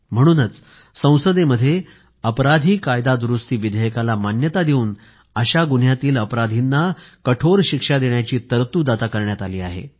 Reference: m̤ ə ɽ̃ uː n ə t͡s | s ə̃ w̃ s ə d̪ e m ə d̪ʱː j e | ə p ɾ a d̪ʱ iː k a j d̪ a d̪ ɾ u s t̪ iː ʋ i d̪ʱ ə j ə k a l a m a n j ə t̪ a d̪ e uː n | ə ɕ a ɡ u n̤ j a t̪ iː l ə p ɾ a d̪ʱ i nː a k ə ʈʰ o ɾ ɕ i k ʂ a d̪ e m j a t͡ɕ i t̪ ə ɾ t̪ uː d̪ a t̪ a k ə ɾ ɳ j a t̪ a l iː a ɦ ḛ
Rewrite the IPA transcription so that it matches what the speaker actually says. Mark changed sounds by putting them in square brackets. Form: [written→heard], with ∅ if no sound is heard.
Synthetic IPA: m̤ ə ɽ̃ uː n ə t͡s | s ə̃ w̃ s ə d̪ e m ə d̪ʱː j e | ə p ɾ a d̪ʱ iː k a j d̪ a d̪ ɾ u s t̪ iː ʋ i d̪ʱ ə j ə k a l a m a n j ə t̪ a d̪ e uː n | ə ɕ a ɡ u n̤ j a t̪ iː l ə p ɾ a d̪ʱ i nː a k ə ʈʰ o ɾ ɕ i k ʂ a d̪ e [m→ɳ] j a t͡ɕ [i→iː] t̪ ə ɾ t̪ uː d̪ a t̪ a k ə ɾ ɳ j a t̪ a l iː a ɦ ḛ

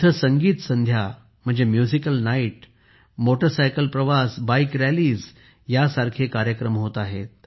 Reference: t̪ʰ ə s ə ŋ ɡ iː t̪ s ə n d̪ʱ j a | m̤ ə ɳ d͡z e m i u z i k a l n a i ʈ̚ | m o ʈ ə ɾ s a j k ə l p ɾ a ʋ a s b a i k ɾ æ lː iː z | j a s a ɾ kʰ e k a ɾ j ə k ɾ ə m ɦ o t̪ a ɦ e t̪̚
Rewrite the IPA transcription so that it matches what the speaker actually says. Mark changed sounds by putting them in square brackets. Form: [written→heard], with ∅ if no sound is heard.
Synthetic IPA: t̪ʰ ə s ə ŋ ɡ iː t̪ s ə n d̪ʱ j a | m̤ ə ɳ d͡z e m [i→j] u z i k [a→ə] l n a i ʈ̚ | m o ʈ ə ɾ s a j k ə l p ɾ [a→ə] ʋ a s b a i k ɾ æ [lː→l] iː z | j a s a ɾ kʰ e k a ɾ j ə k ɾ ə m ɦ o t̪ a ɦ e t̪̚

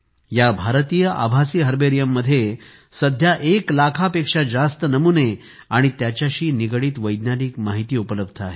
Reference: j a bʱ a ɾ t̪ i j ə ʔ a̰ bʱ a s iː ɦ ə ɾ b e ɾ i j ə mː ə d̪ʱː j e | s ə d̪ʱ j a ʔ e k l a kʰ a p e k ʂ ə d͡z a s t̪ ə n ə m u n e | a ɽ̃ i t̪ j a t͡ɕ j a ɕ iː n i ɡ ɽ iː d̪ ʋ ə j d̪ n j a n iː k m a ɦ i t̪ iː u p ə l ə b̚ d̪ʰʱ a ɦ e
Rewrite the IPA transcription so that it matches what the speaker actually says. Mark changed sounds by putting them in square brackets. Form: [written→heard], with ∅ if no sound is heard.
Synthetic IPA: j a bʱ a ɾ t̪ i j ə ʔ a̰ bʱ a s iː ɦ ə ɾ b e ɾ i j ə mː ə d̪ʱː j e | s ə d̪ʱ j a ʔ e k l a kʰ a p e k ʂ [ə→a] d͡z a s t̪ ə n ə m u n e | a ɽ̃ i t̪ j a t͡ɕ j a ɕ iː n i ɡ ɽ iː [d̪→t̪] ʋ ə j d̪ n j a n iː k m a ɦ i t̪ iː u p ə l ə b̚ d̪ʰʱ a ɦ e

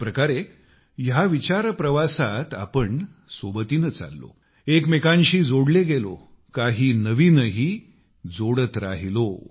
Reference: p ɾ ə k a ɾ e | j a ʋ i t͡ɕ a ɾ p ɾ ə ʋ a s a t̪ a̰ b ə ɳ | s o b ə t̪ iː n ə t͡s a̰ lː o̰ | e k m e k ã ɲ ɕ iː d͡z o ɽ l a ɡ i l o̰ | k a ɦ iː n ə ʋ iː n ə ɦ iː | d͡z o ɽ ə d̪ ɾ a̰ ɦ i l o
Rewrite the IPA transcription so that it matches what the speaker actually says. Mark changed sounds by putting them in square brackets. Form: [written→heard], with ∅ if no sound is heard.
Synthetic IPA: p ɾ ə k a ɾ e | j a ʋ i t͡ɕ a ɾ p ɾ ə ʋ a s a t̪ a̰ [b→p] ə ɳ | s o b ə t̪ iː n ə t͡s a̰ lː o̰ | e k m e k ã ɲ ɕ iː d͡z o ɽ l [a→e] ɡ [i→e] l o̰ | k a ɦ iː n ə ʋ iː n ə ɦ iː | d͡z o ɽ ə [d̪→t̪] ɾ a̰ ɦ i l o

